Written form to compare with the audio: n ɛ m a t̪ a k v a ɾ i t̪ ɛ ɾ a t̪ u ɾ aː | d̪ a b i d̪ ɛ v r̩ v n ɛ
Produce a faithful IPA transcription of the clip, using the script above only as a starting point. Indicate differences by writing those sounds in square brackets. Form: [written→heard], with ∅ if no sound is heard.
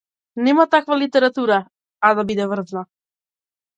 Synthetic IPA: n ɛ m a t̪ a k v a [ɾ→l] i t̪ ɛ ɾ a t̪ u ɾ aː | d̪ a b i d̪ ɛ v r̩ [v→z] n [ɛ→a]

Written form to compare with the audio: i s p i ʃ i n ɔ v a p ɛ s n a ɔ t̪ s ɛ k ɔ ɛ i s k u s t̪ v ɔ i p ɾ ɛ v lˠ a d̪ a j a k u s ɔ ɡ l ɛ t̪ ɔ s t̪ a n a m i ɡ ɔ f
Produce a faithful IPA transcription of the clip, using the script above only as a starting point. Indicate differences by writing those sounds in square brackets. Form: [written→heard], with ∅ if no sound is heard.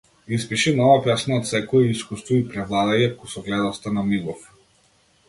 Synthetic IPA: i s p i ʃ i n ɔ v a p ɛ s n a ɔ t̪ s ɛ k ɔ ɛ i s k u s t̪ v ɔ i p ɾ ɛ v lˠ a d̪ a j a k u s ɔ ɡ l ɛ [t̪→d̪] ɔ s t̪ a n a m i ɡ ɔ f

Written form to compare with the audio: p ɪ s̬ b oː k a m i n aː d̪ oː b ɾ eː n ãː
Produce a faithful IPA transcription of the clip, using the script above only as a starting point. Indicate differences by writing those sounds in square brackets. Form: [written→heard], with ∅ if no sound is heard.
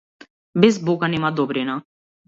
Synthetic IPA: [p→b] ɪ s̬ b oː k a [m→n] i [n→m] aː d̪ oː b ɾ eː n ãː

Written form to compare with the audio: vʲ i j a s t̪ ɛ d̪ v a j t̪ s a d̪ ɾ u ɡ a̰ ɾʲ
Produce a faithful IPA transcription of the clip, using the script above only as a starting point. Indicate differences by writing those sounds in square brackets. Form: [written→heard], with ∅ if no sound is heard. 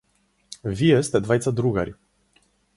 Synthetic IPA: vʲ i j [a→ɛ] s t̪ ɛ d̪ v a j t̪ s a d̪ ɾ u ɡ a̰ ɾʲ

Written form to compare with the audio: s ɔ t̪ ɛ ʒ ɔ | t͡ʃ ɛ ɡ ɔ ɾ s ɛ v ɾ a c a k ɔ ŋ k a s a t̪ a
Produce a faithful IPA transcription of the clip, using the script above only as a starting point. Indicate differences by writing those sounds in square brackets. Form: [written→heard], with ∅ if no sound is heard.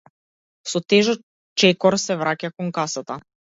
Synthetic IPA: s ɔ t̪ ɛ ʒ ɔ | t͡ʃ ɛ [ɡ→k] ɔ ɾ s ɛ v ɾ a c a k ɔ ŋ k a s a t̪ a

